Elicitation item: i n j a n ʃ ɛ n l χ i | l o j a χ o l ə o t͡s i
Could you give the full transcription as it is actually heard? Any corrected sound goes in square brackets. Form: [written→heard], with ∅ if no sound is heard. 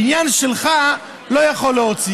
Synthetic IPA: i n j a n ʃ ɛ [n→∅] l χ [i→a] | l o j a χ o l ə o t͡s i